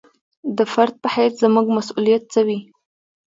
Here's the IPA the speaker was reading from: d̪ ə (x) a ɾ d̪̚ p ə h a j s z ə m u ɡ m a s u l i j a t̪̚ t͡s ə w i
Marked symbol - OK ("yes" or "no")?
no